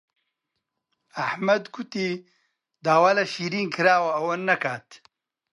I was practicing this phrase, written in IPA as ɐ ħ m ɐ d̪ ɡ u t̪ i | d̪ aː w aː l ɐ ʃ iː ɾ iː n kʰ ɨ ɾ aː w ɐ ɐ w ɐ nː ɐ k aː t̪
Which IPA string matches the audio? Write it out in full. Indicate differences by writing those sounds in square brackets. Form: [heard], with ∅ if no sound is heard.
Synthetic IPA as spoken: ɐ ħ m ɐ d̪ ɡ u t̪ i | d̪ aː w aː l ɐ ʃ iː ɾ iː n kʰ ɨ ɾ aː w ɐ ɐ w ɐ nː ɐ k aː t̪